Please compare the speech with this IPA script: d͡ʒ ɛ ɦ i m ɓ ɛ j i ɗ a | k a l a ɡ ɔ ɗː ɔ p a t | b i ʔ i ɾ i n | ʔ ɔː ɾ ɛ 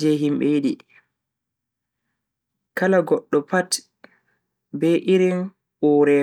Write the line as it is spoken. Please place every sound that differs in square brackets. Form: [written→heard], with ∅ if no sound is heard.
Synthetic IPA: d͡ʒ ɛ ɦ i m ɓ ɛ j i ɗ [a→i] | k a l a ɡ ɔ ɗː ɔ p a t | b [i→ɛ] ʔ i ɾ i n | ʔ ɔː ɾ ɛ